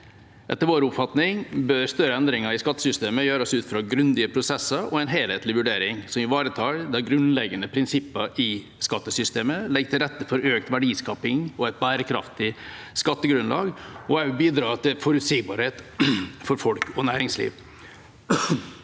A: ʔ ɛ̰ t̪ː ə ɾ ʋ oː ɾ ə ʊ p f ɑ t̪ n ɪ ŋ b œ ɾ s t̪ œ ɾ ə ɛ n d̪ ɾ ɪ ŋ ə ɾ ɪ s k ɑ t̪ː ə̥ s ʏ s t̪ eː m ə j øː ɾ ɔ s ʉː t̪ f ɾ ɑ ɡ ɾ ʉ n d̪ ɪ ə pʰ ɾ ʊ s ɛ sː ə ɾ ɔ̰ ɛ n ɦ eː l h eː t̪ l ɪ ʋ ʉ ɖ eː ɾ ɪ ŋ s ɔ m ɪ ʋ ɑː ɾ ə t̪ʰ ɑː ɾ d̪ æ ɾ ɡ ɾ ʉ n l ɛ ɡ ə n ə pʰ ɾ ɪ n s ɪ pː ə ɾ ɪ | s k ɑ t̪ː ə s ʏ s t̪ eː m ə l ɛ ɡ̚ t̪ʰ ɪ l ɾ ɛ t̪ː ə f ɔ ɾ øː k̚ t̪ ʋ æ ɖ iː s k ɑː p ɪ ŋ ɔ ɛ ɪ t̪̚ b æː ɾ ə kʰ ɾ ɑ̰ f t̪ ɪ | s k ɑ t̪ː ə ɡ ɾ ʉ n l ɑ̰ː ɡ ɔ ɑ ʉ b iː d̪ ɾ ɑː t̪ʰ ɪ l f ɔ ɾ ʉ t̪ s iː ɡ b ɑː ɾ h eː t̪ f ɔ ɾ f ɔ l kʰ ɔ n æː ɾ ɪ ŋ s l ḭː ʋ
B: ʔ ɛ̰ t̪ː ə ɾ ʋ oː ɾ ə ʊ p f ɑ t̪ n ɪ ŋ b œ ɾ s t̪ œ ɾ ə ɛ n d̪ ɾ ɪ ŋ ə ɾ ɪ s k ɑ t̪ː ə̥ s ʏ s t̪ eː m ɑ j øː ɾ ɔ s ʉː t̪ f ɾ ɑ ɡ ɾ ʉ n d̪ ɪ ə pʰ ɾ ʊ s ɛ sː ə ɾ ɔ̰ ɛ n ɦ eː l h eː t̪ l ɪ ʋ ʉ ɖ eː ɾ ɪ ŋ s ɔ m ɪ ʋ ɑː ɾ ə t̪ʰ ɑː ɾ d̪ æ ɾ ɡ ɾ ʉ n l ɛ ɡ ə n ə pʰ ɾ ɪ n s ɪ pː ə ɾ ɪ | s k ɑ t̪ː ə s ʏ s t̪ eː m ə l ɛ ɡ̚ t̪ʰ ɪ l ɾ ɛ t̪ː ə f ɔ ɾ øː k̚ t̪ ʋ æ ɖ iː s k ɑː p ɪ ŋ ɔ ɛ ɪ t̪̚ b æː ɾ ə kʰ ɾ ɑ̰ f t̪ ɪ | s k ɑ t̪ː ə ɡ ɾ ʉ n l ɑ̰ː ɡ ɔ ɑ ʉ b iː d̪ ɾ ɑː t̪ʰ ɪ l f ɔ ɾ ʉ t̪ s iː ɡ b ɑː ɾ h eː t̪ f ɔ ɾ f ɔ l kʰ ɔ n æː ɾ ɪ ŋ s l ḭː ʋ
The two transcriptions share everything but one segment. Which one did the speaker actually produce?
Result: A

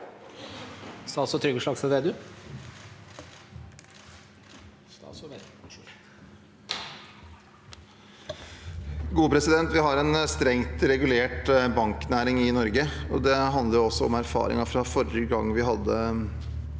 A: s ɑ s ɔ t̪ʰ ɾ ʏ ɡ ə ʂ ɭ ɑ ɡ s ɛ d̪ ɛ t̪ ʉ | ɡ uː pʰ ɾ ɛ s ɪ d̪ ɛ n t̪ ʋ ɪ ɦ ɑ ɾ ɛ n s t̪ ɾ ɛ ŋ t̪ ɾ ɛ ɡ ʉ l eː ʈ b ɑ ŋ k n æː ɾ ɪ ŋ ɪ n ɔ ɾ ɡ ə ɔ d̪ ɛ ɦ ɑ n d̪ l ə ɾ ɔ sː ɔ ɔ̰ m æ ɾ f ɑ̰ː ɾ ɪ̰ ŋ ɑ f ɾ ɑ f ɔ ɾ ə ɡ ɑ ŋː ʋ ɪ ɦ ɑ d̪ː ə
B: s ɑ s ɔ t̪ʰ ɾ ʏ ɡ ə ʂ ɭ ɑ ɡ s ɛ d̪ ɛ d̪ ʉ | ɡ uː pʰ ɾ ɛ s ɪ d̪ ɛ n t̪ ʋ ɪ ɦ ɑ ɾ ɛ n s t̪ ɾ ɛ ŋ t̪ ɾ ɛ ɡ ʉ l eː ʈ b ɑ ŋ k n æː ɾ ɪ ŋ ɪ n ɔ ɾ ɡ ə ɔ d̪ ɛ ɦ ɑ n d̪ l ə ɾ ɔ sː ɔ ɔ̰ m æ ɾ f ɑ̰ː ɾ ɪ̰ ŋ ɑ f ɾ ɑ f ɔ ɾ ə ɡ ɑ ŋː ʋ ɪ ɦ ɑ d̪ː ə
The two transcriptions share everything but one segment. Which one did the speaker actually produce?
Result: B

